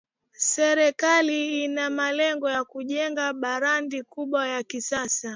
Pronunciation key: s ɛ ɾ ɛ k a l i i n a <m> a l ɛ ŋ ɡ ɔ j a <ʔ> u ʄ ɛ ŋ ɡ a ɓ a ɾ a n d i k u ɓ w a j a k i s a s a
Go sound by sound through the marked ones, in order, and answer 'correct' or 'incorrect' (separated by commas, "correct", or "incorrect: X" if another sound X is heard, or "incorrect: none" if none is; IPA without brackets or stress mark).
correct, incorrect: k